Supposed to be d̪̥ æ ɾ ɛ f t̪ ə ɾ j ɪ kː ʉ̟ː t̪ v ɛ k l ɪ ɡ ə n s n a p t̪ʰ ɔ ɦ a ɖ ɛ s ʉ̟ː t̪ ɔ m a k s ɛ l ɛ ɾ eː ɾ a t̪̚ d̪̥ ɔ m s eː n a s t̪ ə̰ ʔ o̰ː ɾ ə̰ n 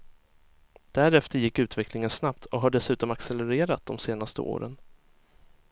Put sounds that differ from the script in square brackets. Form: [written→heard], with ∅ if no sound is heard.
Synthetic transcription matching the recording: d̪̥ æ ɾ ɛ f t̪ ə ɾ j ɪ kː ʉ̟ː t̪ v ɛ k l ɪ [ɡ→ŋ] ə n s n a p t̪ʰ ɔ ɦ a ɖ ɛ s ʉ̟ː t̪ ɔ m a k s ɛ l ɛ ɾ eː ɾ a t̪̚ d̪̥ ɔ m s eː n a s t̪ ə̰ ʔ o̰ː ɾ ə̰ n